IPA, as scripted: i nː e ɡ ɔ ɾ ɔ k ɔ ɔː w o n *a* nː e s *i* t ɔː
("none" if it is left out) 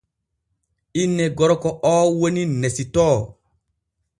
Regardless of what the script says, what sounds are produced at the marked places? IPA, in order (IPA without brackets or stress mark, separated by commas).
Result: i, i